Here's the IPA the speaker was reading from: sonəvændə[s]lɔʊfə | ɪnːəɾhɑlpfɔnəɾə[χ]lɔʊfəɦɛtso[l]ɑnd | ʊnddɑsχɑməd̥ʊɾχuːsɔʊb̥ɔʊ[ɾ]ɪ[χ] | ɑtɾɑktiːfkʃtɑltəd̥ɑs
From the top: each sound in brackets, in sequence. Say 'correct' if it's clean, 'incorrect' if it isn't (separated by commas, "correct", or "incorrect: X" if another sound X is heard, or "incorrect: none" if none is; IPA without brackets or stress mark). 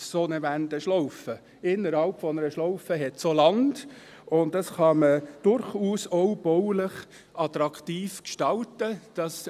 incorrect: ʃ, incorrect: ʃ, correct, incorrect: l, correct